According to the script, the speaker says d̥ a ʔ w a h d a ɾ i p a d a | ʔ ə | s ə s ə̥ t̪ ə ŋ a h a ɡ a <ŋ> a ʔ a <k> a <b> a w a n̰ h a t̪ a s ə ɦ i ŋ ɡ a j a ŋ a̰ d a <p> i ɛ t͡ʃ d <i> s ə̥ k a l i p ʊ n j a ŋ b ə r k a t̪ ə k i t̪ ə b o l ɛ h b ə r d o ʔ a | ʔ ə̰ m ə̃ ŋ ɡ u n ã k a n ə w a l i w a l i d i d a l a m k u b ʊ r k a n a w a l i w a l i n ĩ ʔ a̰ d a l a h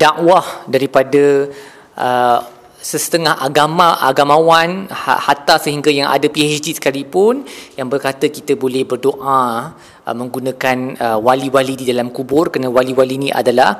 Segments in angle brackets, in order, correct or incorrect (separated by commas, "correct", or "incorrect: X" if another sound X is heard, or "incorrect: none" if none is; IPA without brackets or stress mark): incorrect: m, incorrect: ɡ, incorrect: m, correct, correct